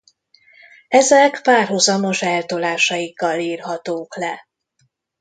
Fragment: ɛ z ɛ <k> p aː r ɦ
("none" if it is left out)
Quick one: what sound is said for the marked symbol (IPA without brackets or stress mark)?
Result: k